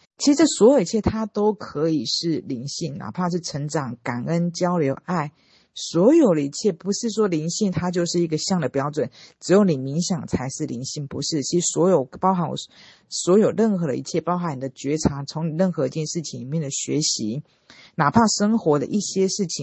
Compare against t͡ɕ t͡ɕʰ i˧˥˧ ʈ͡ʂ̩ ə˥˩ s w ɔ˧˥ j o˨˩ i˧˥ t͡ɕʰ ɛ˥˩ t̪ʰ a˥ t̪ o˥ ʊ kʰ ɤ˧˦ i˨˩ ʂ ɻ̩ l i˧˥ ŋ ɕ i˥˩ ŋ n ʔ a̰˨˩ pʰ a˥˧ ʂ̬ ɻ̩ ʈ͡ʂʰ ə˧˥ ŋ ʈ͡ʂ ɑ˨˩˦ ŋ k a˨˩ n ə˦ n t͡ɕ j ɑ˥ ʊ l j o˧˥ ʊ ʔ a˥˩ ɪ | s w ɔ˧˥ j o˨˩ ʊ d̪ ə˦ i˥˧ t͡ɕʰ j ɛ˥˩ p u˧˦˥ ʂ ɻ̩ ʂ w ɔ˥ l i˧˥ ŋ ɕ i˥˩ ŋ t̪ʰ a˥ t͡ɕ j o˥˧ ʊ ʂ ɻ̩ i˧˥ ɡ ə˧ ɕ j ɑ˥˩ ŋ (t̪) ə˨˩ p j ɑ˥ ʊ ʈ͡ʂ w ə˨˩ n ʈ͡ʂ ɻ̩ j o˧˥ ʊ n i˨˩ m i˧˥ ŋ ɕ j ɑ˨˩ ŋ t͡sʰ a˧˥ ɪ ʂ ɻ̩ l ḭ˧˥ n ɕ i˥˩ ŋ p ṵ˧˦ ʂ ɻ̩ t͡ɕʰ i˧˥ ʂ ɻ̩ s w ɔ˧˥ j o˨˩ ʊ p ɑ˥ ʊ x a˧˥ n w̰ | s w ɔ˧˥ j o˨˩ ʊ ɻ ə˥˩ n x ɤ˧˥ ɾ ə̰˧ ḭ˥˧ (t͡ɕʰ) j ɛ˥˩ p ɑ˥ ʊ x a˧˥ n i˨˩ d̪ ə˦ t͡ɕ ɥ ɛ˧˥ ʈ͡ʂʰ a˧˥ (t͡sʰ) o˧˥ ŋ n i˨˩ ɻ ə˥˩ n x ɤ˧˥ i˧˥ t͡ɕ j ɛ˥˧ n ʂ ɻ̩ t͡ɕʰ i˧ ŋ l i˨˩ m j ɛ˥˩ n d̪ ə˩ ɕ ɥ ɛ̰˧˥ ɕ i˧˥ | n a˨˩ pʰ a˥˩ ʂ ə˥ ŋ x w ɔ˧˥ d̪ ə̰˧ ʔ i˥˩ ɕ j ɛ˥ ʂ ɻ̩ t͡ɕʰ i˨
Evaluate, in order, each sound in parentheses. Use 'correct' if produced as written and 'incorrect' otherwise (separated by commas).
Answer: incorrect, correct, correct